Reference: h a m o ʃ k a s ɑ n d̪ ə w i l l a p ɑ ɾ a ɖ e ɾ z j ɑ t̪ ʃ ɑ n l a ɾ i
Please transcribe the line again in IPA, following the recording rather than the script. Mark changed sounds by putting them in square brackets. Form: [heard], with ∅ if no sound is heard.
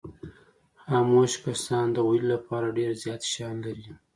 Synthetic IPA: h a m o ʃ k a s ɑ n d̪ ə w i l l a p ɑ ɾ a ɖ e ɾ z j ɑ t̪ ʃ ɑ n l a ɾ i